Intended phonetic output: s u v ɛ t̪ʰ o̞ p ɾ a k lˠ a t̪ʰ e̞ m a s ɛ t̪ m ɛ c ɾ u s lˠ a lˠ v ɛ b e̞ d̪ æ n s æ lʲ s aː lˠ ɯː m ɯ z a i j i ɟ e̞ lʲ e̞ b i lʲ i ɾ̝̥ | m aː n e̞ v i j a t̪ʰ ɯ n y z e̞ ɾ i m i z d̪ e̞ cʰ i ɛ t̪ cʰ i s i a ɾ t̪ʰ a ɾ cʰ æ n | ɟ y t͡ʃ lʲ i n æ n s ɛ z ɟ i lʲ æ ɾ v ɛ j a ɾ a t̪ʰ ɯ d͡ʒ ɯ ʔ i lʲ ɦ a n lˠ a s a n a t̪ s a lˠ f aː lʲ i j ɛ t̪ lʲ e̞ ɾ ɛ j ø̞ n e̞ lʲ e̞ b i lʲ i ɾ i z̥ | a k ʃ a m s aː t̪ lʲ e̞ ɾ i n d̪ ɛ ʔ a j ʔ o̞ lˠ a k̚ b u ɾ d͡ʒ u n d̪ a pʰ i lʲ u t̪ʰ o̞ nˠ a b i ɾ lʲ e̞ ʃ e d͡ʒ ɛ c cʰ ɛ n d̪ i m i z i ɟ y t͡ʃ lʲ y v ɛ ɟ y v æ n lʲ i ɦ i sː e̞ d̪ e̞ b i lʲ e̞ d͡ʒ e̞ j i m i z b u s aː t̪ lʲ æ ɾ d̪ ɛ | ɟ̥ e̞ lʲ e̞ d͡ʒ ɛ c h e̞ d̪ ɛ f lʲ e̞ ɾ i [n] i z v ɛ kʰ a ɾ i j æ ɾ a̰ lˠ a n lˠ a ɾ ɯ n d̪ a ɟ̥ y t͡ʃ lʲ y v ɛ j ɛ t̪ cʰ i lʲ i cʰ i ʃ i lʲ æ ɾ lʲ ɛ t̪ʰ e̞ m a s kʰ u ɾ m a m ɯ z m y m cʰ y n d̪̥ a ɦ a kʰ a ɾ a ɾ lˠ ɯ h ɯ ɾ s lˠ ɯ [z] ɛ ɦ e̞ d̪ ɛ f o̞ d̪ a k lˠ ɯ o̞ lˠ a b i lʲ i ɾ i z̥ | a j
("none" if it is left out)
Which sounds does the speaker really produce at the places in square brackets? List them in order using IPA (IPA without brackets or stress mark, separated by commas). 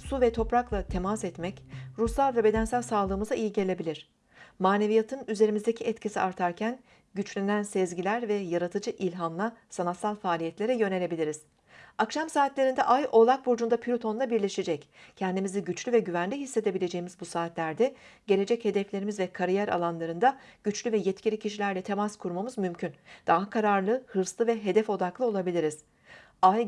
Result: m, v